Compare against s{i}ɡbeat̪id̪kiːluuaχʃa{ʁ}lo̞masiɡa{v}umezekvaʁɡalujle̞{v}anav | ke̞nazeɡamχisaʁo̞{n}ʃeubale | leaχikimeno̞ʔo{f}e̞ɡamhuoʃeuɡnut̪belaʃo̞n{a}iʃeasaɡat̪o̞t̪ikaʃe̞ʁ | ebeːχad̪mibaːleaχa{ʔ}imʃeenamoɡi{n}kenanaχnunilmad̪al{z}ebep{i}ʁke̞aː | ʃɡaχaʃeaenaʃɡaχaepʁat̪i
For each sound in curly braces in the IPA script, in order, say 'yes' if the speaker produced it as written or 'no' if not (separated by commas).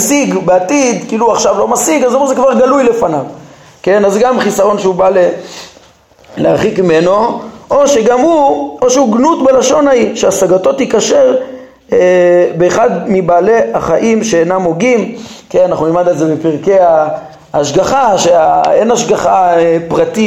yes, no, no, no, yes, no, yes, yes, no, yes, yes